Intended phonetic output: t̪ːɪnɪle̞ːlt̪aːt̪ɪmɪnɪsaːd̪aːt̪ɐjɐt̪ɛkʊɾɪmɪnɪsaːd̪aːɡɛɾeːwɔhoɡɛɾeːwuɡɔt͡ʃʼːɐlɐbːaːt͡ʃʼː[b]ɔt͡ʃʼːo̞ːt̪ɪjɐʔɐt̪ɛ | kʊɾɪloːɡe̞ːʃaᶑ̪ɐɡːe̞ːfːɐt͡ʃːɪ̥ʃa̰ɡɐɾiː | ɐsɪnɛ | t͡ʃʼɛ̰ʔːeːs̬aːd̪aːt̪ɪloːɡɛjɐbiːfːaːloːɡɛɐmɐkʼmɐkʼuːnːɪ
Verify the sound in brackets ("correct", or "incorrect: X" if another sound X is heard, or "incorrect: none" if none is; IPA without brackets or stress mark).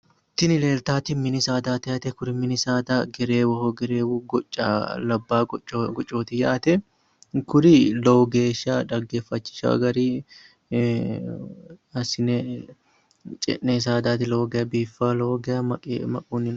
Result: incorrect: ɡ